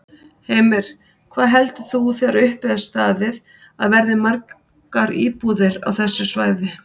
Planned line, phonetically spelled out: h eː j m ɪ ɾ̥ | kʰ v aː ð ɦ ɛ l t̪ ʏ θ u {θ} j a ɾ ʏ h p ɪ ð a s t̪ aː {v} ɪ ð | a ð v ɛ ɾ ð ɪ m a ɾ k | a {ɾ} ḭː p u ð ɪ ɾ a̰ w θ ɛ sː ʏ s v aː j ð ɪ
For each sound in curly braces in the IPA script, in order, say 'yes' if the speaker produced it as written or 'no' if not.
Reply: yes, no, yes

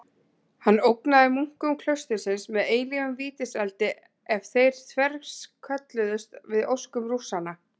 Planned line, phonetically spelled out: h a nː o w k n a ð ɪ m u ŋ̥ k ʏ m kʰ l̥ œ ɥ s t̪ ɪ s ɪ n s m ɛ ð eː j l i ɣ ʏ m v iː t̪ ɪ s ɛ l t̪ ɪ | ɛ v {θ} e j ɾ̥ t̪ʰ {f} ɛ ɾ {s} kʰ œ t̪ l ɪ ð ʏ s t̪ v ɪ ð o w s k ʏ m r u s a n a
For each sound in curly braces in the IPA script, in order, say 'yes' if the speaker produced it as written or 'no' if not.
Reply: yes, no, yes

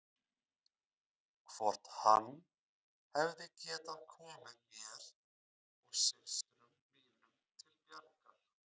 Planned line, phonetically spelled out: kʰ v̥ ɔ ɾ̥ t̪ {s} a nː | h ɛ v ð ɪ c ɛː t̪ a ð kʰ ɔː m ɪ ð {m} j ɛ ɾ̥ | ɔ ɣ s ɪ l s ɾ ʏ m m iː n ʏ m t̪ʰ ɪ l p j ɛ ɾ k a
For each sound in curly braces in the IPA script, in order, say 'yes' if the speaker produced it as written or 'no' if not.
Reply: no, yes

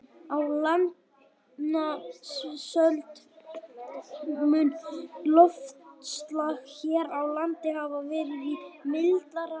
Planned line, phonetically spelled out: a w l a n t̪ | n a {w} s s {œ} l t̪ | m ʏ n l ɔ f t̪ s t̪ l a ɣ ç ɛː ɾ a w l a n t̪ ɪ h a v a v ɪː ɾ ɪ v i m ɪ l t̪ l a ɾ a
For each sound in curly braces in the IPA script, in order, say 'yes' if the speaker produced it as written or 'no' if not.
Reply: no, yes

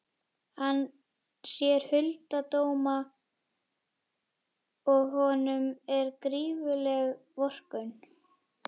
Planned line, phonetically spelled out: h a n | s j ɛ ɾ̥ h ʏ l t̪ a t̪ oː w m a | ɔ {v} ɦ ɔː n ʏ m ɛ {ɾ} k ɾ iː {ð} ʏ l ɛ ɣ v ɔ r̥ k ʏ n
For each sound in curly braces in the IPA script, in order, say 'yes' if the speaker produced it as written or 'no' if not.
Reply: no, yes, no

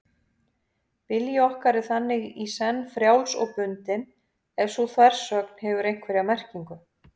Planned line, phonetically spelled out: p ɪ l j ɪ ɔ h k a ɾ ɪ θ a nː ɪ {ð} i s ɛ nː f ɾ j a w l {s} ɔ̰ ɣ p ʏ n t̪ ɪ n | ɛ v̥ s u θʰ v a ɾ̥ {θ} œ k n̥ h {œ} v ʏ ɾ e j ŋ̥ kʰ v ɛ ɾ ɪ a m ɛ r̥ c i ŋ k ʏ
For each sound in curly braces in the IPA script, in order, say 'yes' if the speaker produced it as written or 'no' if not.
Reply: no, yes, no, no

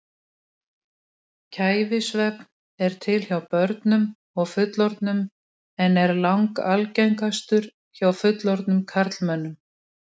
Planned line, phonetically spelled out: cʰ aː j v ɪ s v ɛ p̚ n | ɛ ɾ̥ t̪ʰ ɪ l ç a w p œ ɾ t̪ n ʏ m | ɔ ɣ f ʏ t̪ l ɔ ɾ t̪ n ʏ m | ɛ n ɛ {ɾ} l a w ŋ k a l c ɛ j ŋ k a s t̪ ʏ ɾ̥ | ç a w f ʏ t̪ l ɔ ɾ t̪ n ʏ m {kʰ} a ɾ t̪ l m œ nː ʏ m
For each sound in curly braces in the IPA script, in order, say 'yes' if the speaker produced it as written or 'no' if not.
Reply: yes, yes

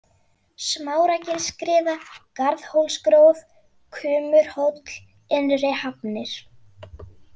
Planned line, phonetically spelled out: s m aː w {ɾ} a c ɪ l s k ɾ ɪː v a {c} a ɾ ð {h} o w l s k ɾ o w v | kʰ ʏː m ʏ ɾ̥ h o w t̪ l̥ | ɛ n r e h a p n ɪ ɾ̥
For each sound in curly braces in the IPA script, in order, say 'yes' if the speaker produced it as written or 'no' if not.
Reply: yes, no, yes

